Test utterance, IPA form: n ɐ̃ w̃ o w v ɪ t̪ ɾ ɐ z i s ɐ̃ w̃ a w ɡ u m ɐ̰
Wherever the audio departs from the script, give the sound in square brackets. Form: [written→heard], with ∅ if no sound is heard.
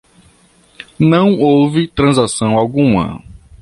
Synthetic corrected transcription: n ɐ̃ w̃ o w v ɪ t̪ ɾ [ɐ→ɐ̃] z [i→a] s ɐ̃ w̃ a w ɡ [u→ũ] m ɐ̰